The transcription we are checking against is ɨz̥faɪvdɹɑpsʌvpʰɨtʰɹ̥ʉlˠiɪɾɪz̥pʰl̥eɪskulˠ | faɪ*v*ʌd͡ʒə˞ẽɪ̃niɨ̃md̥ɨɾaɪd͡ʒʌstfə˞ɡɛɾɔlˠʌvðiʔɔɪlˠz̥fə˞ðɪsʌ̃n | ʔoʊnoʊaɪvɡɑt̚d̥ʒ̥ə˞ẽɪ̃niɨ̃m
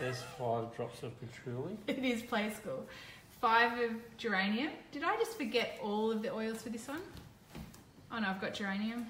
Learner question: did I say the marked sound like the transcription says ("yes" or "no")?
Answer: yes